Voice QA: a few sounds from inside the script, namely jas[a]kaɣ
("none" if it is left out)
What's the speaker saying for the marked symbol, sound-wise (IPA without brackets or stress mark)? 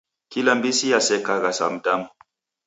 ɛ